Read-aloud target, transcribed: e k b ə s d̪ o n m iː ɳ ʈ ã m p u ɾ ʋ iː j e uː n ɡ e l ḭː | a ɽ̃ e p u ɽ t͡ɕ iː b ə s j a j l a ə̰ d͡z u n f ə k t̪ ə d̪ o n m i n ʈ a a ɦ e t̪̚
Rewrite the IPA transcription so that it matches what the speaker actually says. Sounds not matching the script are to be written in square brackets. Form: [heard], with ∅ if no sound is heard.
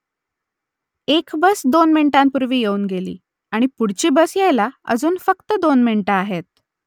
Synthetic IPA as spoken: e k b ə s d̪ o n m [i] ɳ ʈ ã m p u ɾ ʋ iː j e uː n ɡ e l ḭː | a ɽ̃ [i] p u ɽ t͡ɕ iː b ə s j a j l a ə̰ d͡z [uː] n f ə k t̪ ə d̪ o n m i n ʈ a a ɦ e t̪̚

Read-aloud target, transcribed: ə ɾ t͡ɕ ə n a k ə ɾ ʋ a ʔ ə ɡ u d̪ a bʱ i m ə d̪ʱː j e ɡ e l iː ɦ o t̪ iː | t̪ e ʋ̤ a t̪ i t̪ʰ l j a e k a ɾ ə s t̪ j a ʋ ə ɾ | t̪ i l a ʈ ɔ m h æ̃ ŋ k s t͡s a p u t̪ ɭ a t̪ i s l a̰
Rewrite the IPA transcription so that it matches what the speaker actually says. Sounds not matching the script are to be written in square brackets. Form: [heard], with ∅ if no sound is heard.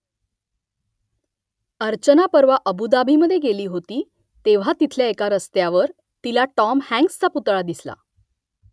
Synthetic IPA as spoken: ə ɾ t͡ɕ ə n a [p] ə ɾ ʋ a ʔ ə [b] u d̪ a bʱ i m ə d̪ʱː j e ɡ e l iː ɦ o t̪ iː | t̪ e ʋ̤ a t̪ i t̪ʰ l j a e k a ɾ ə s t̪ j a ʋ ə ɾ | t̪ i l a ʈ ɔ m h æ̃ ŋ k s t͡s a p u t̪ ɭ a [d̪] i s l a̰

